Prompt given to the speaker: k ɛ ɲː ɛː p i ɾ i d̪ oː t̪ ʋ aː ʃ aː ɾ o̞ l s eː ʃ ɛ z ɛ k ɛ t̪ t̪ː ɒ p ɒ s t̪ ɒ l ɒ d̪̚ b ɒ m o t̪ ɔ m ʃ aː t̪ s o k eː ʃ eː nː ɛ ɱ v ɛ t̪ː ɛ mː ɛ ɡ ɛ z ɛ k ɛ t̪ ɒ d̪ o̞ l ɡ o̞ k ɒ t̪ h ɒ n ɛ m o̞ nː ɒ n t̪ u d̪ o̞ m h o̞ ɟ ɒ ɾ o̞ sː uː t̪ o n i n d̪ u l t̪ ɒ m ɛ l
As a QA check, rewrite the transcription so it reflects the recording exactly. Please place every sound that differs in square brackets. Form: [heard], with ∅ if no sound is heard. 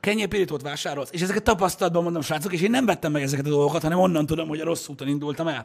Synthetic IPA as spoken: k ɛ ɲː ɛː p i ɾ i [t̪] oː t̪ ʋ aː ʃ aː ɾ o̞ l s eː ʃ ɛ z ɛ k ɛ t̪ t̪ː ɒ p ɒ s t̪ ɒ l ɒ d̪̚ b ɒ m o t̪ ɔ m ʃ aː t̪ s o k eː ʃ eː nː ɛ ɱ v ɛ t̪ː ɛ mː ɛ ɡ ɛ z ɛ k ɛ t̪ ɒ d̪ o̞ l ɡ o̞ k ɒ t̪ h ɒ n ɛ m o̞ nː ɒ n t̪ u d̪ o̞ m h o̞ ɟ ɒ ɾ o̞ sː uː t̪ o n i n d̪ u l t̪ ɒ m ɛ l